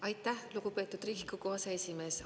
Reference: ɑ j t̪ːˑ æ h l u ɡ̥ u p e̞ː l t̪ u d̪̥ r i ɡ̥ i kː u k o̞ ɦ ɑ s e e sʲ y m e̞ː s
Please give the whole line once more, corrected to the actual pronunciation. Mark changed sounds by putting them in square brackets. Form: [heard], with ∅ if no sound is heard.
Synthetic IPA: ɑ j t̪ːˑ æ h l u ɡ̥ u p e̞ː [∅] t̪ u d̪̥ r i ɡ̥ i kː u k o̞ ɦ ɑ s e e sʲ [i] m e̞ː s